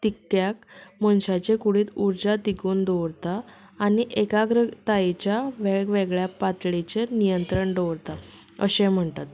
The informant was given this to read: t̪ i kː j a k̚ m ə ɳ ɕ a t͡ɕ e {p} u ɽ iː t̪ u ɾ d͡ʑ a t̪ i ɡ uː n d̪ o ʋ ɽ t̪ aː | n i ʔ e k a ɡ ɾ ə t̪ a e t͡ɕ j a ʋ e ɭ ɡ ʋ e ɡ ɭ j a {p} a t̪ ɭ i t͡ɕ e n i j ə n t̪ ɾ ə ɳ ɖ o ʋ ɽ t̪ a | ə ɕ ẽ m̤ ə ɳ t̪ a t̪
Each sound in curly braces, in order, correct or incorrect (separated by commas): incorrect, correct